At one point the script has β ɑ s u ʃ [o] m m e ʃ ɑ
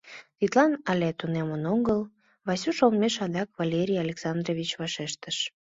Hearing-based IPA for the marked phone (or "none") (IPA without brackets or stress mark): o